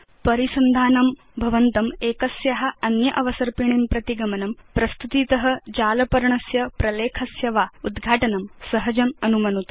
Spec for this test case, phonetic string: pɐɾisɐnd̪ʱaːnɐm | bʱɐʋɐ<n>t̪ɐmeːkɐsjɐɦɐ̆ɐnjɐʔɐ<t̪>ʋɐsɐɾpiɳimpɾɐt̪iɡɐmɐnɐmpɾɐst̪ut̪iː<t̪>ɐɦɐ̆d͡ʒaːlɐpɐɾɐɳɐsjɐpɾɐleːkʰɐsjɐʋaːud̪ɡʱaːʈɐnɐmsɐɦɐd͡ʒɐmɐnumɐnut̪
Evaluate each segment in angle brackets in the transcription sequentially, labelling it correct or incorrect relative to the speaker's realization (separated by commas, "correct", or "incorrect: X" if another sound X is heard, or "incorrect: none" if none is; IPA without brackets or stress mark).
correct, incorrect: none, correct